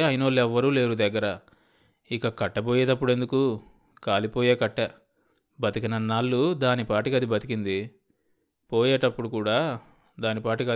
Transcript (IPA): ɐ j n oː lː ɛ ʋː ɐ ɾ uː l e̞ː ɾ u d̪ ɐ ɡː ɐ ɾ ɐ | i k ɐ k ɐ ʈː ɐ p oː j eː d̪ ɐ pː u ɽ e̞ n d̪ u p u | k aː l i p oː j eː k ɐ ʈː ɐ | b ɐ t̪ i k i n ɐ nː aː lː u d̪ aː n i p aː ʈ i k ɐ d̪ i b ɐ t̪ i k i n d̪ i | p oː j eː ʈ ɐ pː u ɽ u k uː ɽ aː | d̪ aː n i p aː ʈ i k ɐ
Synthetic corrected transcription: ɐ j n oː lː ɛ ʋː ɐ ɾ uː l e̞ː ɾ u d̪ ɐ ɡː ɐ ɾ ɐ | i k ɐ k ɐ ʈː ɐ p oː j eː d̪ ɐ pː u ɽ e̞ n d̪ u k u | k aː l i p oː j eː k ɐ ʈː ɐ | b ɐ t̪ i k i n ɐ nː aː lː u d̪ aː n i p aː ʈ i k ɐ d̪ i b ɐ t̪ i k i n d̪ i | p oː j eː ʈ ɐ pː u ɽ u k uː ɽ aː | d̪ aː n i p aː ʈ i k ɐ